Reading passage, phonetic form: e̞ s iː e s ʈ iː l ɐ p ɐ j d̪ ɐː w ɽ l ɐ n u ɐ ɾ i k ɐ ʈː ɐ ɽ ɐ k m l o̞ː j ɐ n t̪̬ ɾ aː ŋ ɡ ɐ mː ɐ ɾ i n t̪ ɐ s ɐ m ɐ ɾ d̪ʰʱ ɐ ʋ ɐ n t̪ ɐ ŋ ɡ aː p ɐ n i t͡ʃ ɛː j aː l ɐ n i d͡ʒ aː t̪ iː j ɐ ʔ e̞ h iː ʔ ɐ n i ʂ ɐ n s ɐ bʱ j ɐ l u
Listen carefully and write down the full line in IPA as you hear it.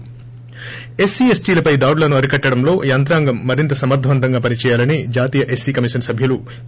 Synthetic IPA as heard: e̞ s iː e s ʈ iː l ɐ p ɐ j d̪ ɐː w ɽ l ɐ n u ɐ ɾ i k ɐ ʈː ɐ ɽ ɐ m l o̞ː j ɐ n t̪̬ ɾ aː ŋ ɡ ɐ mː ɐ ɾ i n t̪ ɐ s ɐ m ɐ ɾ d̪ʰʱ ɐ ʋ ɐ n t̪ ɐ ŋ ɡ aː p ɐ n i t͡ʃ ɛː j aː l ɐ n i d͡ʒ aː t̪ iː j ɐ ʔ e̞ s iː k ɐ m i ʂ ɐ n s ɐ bʱ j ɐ l u